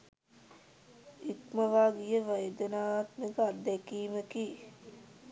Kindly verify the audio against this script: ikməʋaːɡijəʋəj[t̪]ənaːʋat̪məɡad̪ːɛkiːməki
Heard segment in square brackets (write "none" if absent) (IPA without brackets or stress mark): d̪